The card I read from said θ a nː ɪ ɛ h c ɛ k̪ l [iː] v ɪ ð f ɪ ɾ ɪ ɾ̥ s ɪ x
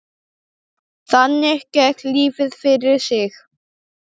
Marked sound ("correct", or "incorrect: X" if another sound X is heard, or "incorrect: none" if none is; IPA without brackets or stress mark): correct